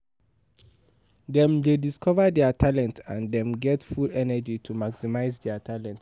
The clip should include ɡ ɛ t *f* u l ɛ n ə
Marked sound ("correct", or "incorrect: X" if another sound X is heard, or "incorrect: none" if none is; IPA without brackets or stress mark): correct